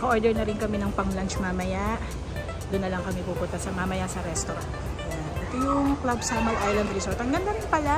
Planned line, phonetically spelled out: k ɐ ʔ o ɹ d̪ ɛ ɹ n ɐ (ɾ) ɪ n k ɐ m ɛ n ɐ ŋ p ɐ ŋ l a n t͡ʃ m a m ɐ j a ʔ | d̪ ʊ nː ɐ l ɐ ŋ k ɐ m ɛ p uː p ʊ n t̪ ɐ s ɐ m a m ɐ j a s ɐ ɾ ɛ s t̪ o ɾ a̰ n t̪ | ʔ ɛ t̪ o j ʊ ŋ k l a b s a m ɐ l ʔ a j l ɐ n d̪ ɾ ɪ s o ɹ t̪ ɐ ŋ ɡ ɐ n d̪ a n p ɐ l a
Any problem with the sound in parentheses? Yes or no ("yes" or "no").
no